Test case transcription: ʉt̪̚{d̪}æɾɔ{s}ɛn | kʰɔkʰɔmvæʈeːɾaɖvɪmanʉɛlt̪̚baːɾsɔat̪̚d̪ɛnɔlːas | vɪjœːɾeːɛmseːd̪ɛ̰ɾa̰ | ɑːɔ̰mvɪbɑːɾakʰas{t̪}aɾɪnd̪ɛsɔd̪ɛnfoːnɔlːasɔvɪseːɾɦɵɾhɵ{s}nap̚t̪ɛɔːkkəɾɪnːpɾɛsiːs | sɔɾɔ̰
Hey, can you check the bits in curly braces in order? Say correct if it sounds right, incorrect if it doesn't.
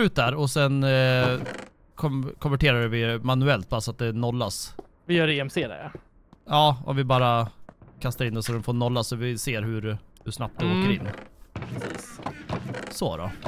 correct, correct, correct, incorrect: ʂ

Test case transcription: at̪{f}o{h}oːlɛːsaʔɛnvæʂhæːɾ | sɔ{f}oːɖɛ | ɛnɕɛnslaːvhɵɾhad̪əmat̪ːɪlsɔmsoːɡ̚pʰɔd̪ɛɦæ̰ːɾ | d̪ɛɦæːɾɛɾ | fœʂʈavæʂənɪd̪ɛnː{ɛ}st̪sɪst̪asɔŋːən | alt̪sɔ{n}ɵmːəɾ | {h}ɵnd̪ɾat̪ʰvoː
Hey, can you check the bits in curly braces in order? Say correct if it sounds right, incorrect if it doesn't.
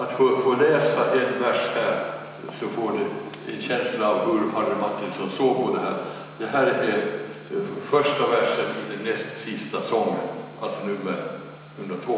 correct, incorrect: f, correct, correct, correct, correct

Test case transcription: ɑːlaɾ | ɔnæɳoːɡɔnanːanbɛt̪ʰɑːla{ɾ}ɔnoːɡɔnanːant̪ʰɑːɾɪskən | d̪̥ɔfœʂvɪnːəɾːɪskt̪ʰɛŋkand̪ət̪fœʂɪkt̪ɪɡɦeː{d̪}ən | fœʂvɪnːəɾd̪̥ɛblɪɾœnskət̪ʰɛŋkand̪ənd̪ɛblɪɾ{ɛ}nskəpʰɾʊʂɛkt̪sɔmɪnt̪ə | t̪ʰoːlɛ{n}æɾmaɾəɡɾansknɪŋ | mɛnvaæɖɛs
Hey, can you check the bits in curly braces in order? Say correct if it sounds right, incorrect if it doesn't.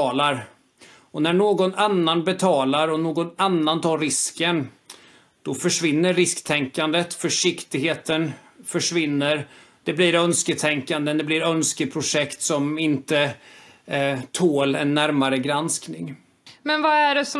correct, incorrect: t̪, incorrect: œ, incorrect: nː

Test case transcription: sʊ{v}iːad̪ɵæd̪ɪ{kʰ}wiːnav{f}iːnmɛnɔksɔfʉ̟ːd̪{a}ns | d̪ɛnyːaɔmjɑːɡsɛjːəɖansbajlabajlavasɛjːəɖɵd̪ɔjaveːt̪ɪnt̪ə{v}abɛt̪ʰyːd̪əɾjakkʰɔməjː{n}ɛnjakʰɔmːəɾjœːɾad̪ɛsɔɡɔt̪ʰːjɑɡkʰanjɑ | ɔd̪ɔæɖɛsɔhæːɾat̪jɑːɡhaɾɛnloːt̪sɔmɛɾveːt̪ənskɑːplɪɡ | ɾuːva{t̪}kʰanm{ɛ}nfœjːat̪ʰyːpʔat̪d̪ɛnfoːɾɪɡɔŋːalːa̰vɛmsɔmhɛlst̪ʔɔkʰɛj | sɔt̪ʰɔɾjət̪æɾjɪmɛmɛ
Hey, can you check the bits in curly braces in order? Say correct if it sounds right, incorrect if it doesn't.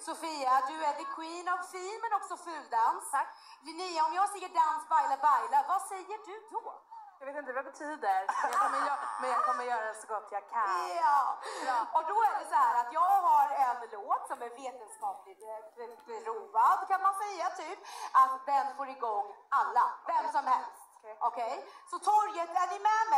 incorrect: f, correct, correct, correct, correct, incorrect: m, incorrect: d̪, incorrect: a

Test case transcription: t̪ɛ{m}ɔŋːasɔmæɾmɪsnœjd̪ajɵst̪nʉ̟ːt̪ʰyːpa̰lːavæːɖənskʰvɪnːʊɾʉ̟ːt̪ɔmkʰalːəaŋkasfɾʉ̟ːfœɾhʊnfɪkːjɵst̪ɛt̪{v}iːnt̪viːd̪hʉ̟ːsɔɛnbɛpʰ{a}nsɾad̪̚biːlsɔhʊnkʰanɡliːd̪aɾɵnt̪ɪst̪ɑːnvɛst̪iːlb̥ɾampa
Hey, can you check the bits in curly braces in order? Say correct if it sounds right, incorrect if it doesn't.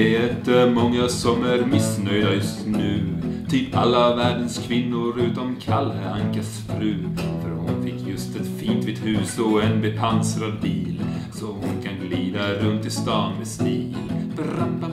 correct, incorrect: f, correct

